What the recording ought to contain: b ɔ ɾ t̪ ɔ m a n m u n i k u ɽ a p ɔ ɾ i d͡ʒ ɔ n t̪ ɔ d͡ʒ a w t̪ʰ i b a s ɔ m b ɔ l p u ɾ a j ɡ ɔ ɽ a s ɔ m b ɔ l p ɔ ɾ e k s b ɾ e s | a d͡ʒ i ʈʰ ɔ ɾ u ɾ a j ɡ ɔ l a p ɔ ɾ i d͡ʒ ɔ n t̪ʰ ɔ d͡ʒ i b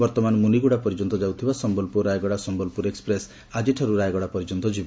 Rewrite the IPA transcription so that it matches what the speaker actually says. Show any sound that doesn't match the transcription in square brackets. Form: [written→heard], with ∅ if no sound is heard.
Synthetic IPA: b ɔ ɾ t̪ ɔ m a n m u n i [k→ɡ] u ɽ a p ɔ ɾ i d͡ʒ ɔ n t̪ ɔ d͡ʒ a w t̪ʰ i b a s ɔ m b ɔ l p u ɾ a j ɡ ɔ ɽ a s ɔ m b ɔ l p [ɔ→u] ɾ e k s [b→p] ɾ e s | a d͡ʒ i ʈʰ ɔ ɾ u ɾ a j ɡ ɔ [l→ɽ] a p ɔ ɾ i d͡ʒ ɔ n [t̪ʰ→t̪] ɔ d͡ʒ i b